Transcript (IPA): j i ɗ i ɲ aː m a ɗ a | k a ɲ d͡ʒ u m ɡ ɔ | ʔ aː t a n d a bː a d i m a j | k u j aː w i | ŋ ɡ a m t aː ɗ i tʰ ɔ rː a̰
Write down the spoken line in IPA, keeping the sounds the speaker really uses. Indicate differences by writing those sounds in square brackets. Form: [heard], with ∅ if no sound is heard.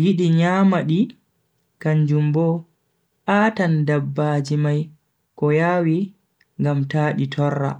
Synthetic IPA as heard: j i ɗ i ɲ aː m a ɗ [i] | k a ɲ d͡ʒ u m [b] ɔ | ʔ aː t a n d a bː a [d͡ʒ] i m a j | k [ɔ] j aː w i | ŋ ɡ a m t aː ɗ i tʰ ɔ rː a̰